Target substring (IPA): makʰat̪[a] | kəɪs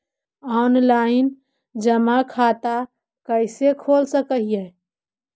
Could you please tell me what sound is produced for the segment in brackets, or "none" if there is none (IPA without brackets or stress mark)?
a